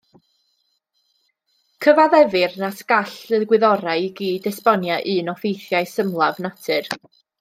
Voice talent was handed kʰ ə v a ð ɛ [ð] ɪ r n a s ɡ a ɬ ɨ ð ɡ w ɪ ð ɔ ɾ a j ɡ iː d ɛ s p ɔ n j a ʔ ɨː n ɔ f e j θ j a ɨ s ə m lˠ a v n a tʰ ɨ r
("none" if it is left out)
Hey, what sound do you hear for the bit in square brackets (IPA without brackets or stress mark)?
v